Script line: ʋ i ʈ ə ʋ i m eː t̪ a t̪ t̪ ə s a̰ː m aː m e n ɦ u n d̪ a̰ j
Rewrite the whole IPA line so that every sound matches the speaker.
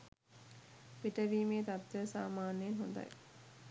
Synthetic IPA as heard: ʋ i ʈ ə ʋ iː m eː t̪ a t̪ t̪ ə s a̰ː m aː n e n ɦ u n d̪ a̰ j